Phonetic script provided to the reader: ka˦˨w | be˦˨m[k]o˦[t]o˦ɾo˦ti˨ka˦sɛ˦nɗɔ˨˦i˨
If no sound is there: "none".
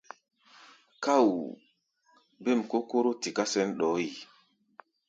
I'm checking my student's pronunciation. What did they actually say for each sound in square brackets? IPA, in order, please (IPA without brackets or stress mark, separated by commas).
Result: k, k